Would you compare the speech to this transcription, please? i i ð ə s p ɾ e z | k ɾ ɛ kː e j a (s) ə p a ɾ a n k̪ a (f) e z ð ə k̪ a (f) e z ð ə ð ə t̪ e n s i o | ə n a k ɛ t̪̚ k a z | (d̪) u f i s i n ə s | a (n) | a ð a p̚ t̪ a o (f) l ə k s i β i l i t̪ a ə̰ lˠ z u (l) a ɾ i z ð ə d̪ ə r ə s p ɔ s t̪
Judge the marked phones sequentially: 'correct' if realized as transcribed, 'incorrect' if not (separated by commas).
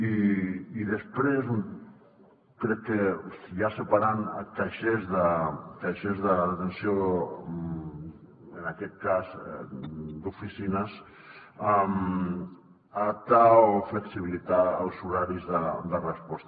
correct, incorrect, incorrect, correct, incorrect, correct, incorrect